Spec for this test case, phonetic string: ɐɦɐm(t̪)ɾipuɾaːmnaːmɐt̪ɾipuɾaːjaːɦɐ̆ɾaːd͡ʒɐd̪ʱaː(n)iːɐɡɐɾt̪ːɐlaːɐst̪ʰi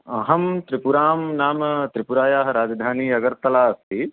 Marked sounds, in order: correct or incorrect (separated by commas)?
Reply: correct, correct